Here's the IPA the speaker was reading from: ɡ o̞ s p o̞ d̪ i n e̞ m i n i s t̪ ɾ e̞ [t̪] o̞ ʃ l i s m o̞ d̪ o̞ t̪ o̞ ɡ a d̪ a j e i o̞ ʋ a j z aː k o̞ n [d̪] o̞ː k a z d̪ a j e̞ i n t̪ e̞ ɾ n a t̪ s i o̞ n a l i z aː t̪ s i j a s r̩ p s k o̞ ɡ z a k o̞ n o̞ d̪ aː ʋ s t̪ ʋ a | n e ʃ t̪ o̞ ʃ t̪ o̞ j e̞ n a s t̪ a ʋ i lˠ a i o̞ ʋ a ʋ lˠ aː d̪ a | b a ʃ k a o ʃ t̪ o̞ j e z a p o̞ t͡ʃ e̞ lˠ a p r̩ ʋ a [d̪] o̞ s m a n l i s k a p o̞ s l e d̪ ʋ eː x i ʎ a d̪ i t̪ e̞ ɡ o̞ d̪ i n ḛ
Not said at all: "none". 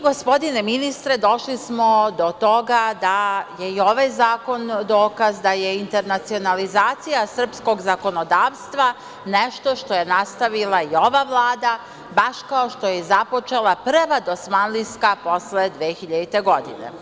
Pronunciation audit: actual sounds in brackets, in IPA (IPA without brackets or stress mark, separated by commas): d̪, d̪, d̪